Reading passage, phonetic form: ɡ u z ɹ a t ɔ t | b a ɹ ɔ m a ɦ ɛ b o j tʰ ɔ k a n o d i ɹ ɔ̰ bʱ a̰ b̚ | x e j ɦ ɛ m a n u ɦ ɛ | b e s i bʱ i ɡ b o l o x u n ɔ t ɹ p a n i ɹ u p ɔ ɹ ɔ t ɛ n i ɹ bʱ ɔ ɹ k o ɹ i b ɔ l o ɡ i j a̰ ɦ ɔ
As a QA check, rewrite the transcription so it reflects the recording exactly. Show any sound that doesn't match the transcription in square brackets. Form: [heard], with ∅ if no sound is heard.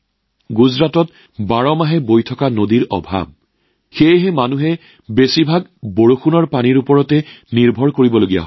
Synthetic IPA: ɡ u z ɹ a t ɔ t | b a ɹ ɔ m a ɦ ɛ b o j tʰ ɔ k a n o d i ɹ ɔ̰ bʱ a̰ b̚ | x e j ɦ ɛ m a n u ɦ ɛ | b e s i bʱ [a] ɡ b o [ɹ] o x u n ɔ [∅] ɹ p a n i ɹ u p ɔ ɹ ɔ t ɛ n i ɹ bʱ ɔ ɹ k o ɹ i b ɔ l o ɡ i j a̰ ɦ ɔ